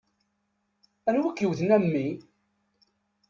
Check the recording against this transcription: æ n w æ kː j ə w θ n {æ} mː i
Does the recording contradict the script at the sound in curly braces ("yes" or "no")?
no